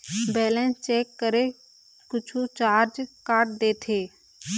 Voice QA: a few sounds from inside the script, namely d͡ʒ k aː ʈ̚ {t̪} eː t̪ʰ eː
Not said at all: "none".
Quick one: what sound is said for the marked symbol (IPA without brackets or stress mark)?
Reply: d̪